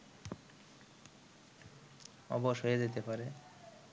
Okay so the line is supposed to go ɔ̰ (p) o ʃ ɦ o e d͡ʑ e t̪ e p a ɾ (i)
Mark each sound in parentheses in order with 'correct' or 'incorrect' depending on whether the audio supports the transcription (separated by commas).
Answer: incorrect, incorrect